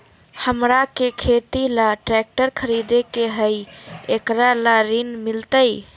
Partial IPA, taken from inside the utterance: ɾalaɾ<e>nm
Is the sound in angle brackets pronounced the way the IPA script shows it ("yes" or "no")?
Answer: no